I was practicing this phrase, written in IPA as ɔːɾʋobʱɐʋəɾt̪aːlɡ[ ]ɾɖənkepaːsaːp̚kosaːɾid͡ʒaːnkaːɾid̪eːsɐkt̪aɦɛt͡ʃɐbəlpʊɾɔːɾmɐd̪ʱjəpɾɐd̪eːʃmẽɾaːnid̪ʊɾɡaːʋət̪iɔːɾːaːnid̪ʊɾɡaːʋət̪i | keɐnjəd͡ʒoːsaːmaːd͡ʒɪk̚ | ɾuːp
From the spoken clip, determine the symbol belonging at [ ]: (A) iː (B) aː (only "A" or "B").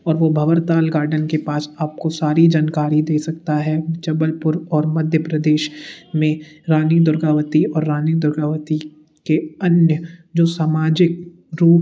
B